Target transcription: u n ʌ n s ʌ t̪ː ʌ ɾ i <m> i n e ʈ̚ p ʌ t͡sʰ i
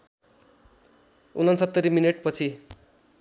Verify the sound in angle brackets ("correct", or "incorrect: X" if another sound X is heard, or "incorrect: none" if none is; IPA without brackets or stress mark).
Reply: correct